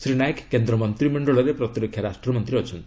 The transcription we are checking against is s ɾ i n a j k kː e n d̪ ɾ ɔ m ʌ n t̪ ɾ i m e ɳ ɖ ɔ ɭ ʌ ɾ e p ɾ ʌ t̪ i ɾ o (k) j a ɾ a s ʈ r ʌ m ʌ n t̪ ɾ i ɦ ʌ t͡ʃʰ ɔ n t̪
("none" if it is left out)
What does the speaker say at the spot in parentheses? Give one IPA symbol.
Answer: kʰ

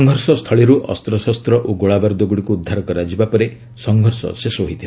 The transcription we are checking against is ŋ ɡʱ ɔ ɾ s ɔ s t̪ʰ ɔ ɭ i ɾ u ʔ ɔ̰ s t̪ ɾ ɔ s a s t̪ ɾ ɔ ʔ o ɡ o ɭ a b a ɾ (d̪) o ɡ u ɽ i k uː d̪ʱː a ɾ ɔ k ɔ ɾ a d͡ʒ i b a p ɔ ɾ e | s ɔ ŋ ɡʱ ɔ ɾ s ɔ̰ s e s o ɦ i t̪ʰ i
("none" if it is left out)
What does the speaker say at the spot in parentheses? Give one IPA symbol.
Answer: d̪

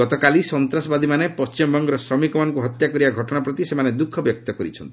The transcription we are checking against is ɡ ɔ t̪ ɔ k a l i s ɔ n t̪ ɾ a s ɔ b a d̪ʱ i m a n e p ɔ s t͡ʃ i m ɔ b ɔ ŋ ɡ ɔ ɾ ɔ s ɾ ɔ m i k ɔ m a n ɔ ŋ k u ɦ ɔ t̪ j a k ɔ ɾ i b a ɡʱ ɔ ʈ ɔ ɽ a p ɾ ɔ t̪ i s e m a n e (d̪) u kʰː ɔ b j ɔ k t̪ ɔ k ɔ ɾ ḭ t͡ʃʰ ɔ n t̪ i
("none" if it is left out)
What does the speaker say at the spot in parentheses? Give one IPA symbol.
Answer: d̪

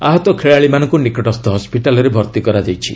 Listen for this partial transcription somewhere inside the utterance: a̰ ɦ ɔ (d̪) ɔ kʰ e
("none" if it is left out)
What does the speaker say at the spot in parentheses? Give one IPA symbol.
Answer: t̪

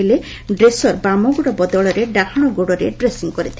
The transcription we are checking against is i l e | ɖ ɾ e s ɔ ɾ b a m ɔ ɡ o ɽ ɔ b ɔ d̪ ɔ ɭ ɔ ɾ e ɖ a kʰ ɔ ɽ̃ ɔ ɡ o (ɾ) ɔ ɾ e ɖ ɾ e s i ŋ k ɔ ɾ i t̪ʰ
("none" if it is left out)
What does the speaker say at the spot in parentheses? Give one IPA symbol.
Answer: ɽ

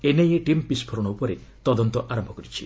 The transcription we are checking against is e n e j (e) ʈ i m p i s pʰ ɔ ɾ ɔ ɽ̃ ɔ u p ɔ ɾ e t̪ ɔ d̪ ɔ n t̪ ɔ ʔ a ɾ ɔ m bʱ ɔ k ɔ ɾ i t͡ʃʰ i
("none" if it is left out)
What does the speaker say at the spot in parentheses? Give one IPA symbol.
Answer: e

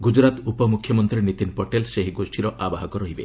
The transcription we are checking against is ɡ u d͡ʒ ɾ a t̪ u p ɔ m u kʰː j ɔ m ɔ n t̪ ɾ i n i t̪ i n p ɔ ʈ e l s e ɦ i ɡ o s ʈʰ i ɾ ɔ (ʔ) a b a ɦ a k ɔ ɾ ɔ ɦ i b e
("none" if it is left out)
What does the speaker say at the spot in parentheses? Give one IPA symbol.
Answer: ʔ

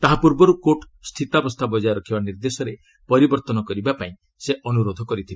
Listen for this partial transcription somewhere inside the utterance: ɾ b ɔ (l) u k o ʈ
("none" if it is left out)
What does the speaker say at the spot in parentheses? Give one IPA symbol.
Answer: ɾ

